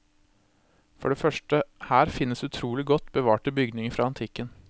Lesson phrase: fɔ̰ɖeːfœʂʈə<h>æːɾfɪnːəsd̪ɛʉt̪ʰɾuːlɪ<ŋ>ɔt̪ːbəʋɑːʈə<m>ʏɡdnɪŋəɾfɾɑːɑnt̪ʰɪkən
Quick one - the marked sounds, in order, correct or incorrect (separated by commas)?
correct, incorrect, incorrect